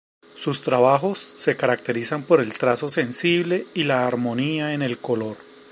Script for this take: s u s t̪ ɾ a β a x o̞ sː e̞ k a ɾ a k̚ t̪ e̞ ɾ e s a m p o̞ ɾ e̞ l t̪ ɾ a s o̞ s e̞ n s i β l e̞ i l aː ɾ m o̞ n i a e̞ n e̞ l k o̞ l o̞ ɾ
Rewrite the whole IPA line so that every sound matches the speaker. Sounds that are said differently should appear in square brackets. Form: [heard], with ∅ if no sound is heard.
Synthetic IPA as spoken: s u s t̪ ɾ a β a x o̞ sː e̞ k a ɾ a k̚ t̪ e̞ ɾ [i] s a m p o̞ ɾ e̞ l t̪ ɾ a s o̞ s e̞ n s i β l e̞ i l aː ɾ m o̞ n i a e̞ n e̞ l k o̞ l o̞ ɾ